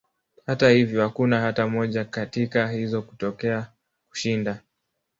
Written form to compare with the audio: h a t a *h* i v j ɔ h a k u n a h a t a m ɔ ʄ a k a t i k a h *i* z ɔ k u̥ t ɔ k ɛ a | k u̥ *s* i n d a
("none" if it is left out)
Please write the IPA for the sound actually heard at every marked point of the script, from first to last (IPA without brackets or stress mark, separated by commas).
h, i, ʃ